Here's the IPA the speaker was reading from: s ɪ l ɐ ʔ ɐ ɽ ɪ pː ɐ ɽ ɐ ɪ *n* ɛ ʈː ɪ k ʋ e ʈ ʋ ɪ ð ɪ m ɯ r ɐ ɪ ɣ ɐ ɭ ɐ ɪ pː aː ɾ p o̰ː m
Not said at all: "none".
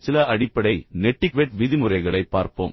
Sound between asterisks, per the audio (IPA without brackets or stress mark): n